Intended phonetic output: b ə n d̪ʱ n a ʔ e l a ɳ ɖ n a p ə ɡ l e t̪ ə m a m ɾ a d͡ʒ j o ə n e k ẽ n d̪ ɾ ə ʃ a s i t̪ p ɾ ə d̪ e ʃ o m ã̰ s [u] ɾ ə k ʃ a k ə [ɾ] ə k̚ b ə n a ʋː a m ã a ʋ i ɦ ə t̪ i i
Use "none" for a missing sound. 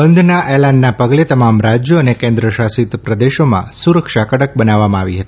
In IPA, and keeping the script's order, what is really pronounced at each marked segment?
u, ɽ

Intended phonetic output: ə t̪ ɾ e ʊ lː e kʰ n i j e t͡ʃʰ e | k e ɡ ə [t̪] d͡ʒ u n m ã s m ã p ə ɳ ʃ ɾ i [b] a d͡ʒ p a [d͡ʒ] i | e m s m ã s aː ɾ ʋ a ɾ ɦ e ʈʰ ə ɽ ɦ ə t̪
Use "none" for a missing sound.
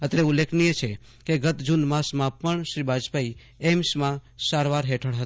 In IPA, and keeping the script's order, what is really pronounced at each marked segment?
t̪, b, none

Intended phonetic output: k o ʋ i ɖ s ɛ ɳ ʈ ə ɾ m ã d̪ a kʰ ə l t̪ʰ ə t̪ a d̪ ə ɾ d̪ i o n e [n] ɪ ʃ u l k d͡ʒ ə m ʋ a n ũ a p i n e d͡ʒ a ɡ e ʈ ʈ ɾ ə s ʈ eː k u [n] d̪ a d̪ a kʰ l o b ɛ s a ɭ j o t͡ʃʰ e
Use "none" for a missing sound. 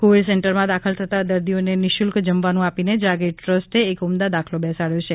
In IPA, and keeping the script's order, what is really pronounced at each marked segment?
n, m

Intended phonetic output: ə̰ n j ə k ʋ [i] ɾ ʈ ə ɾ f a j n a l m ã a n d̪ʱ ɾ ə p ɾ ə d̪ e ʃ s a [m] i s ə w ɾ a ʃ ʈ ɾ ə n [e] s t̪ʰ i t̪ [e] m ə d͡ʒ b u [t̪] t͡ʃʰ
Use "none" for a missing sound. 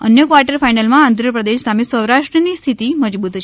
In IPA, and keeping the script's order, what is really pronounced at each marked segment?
a, m, i, i, t̪

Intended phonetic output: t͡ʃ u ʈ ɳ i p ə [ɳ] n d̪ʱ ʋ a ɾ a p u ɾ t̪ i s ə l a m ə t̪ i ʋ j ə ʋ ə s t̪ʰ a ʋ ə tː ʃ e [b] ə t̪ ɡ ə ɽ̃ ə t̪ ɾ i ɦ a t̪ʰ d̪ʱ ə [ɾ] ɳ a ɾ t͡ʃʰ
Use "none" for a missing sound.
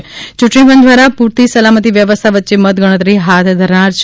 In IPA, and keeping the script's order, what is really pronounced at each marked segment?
none, m, ɾ

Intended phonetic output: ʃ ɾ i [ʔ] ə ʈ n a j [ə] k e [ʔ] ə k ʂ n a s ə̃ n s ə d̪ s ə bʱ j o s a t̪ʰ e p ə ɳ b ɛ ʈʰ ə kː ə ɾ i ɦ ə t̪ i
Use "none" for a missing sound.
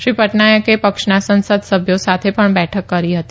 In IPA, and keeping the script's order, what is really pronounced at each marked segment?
p, ə, p

